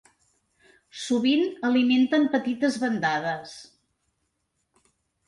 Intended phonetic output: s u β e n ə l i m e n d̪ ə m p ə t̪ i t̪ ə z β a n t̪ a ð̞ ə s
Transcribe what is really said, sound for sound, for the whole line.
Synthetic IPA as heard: s u β i n ə l i m e n t̪ ə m p ə t̪ i t̪ ə z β ə n d̪ a ð̞ ə s